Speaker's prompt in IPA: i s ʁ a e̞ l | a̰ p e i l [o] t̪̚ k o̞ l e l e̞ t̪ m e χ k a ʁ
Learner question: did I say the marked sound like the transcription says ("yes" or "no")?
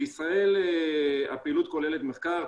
no